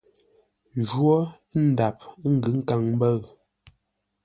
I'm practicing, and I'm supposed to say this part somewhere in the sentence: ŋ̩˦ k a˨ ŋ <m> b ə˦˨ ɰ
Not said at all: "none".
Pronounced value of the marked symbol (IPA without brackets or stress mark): m